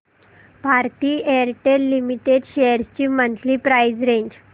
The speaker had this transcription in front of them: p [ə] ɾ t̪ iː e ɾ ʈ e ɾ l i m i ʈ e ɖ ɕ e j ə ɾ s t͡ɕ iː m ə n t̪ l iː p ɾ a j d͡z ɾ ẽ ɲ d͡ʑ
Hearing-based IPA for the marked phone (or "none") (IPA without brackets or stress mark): a